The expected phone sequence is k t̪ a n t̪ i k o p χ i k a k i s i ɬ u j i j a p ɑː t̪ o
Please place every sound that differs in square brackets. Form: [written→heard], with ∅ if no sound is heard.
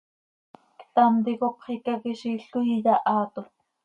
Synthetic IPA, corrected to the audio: k t̪ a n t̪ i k o p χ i k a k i [s→ʃ] i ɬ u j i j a [p→ʔ] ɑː t̪ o